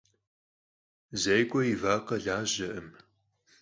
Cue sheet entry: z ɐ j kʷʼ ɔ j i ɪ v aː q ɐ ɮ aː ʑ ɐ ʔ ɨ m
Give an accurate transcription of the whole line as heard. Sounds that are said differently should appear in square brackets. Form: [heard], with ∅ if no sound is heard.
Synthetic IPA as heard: z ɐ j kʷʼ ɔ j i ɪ v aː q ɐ ɮ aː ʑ ɐ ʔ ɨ m